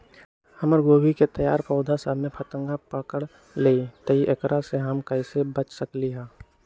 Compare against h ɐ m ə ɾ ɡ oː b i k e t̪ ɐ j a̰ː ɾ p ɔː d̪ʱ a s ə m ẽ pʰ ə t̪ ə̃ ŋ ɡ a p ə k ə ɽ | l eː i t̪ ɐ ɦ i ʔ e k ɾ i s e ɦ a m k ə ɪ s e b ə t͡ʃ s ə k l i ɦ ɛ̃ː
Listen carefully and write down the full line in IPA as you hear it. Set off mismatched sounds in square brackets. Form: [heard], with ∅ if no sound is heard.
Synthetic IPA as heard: h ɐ m ə ɾ ɡ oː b i k e t̪ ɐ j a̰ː ɾ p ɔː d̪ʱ a s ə m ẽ pʰ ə t̪ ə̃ ŋ ɡ a p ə k ə ɽ | l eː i t̪ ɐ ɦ i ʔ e k ɾ [a] s e ɦ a m k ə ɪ s e b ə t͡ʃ s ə k l i ɦ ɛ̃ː